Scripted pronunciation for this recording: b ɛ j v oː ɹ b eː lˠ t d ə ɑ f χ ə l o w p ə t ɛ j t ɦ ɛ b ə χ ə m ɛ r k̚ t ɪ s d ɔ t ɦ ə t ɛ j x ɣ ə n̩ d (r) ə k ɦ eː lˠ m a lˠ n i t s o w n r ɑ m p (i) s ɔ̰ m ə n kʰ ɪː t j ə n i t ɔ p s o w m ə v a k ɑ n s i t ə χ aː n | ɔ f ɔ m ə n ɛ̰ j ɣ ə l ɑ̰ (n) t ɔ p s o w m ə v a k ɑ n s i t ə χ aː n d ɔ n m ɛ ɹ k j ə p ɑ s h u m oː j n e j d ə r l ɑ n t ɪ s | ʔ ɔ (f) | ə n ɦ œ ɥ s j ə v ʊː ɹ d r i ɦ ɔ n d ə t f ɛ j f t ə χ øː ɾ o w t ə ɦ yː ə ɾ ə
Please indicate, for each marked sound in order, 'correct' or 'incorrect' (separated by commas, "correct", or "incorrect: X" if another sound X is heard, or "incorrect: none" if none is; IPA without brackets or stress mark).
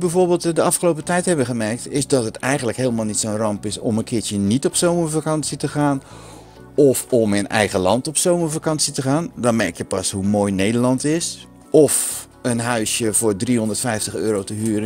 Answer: incorrect: l, incorrect: ɪ, correct, correct